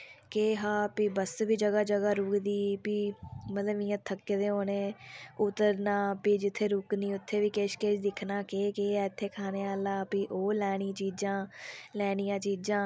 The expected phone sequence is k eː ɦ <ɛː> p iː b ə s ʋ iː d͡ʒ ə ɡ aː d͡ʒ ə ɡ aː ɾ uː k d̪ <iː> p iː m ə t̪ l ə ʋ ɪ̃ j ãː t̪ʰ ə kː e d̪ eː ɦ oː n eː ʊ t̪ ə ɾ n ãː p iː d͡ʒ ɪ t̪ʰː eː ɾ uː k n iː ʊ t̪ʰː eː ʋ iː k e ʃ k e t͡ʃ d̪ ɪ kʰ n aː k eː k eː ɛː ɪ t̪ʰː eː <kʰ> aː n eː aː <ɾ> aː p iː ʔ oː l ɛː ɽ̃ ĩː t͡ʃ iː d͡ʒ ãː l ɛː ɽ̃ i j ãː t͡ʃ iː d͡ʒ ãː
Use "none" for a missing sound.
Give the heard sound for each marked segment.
aː, iː, kʰ, l

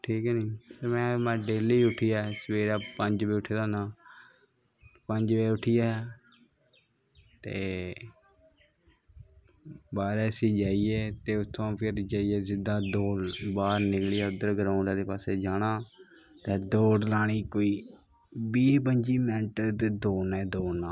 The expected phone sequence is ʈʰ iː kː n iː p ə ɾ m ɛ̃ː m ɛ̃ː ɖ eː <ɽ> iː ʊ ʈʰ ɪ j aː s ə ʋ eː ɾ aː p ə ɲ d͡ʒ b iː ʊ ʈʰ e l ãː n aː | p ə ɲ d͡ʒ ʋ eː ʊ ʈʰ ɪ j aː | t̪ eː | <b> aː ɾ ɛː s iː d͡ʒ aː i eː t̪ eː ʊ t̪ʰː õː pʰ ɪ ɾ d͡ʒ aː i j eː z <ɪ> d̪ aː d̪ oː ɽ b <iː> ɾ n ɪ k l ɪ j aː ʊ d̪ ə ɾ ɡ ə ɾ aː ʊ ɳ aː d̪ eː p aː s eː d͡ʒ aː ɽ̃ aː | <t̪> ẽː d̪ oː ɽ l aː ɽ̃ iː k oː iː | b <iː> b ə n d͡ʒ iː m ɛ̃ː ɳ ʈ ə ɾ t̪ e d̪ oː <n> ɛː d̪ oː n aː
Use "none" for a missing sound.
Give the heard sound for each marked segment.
l, b, ɪ, aː, t̪, iː, n

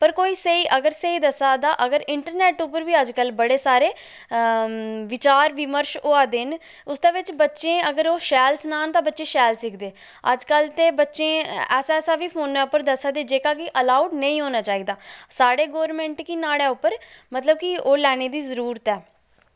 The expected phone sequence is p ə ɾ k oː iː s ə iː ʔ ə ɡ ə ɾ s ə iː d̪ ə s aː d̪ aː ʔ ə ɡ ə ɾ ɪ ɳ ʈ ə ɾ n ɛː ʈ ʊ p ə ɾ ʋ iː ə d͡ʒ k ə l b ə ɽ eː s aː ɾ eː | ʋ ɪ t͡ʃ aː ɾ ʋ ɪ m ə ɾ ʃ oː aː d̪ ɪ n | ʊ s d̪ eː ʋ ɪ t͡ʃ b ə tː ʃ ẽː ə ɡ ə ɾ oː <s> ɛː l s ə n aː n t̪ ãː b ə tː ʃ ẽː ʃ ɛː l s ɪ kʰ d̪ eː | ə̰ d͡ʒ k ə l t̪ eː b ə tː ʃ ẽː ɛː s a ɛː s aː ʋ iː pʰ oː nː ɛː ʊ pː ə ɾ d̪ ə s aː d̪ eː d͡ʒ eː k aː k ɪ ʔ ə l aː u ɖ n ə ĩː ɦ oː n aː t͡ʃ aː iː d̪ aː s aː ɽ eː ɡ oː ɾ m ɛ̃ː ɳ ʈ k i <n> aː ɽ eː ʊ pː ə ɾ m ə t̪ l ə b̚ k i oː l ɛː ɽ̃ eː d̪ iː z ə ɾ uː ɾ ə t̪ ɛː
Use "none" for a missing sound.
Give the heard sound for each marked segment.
ʃ, n

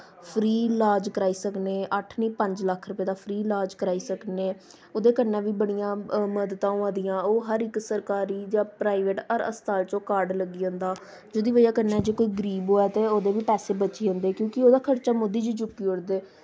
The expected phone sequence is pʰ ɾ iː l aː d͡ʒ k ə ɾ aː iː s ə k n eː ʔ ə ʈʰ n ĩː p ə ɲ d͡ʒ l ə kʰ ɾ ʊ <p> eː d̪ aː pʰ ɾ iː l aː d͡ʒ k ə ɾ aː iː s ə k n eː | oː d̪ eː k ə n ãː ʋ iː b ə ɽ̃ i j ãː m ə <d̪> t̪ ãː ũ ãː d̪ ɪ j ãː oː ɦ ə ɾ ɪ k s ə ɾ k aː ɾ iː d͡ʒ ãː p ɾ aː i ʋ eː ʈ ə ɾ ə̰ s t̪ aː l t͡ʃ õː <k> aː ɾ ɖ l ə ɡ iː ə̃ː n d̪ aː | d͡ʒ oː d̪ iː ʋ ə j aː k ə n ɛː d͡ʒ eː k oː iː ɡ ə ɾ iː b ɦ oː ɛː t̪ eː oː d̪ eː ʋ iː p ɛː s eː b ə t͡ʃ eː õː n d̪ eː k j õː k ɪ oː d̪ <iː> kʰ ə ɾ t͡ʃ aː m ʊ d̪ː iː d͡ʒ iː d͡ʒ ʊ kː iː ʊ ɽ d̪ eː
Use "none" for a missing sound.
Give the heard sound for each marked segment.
p, d̪, k, aː

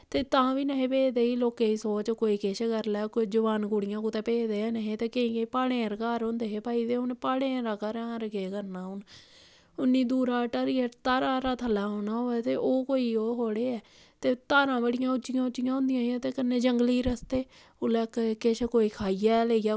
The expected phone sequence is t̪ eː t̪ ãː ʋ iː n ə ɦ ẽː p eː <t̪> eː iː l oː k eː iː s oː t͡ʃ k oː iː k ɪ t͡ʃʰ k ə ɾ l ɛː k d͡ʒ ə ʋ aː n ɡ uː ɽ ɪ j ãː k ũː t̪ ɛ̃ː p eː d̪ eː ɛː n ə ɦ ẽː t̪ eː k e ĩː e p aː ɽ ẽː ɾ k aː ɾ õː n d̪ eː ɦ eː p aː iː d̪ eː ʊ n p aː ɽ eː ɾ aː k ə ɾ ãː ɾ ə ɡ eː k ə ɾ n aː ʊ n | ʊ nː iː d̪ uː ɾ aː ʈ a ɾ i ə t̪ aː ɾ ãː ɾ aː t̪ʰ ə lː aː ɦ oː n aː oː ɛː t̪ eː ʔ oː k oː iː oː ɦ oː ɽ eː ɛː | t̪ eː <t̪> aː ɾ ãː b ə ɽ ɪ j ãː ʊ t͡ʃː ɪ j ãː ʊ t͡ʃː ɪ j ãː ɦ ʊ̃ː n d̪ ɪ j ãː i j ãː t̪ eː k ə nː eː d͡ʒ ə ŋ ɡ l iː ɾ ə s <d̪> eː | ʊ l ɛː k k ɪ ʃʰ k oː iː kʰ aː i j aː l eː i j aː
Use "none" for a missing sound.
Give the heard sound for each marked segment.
d̪, t̪, t̪

